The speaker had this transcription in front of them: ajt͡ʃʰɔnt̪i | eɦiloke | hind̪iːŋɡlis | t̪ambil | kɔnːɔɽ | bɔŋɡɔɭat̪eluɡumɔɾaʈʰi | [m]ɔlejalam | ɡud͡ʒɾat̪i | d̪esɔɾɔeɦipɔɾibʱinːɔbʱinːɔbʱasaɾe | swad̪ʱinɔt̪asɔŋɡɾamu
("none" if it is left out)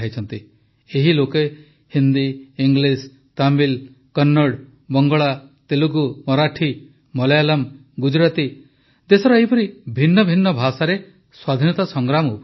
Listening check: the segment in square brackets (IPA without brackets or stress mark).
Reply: m